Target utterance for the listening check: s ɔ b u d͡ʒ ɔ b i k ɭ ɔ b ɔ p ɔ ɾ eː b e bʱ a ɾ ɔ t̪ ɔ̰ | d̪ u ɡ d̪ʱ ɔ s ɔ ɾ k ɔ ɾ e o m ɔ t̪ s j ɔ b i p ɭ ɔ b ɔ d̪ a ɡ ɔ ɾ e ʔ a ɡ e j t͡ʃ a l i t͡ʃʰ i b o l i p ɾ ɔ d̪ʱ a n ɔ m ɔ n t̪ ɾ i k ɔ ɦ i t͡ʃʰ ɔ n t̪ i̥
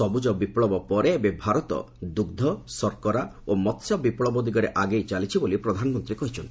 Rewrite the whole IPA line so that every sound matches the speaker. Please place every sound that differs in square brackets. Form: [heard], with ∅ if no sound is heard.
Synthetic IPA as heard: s ɔ b u d͡ʒ ɔ b i [p] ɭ ɔ b ɔ p ɔ ɾ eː b e bʱ a ɾ ɔ t̪ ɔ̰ | d̪ u ɡ d̪ʱ ɔ s ɔ ɾ k ɔ ɾ [a] o m ɔ t̪ s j ɔ b i p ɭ ɔ b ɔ d̪ [i] ɡ ɔ ɾ e ʔ a ɡ e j t͡ʃ a l i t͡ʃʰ i b o l i p ɾ ɔ d̪ʱ a n ɔ m ɔ n t̪ ɾ i k ɔ ɦ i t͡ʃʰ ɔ n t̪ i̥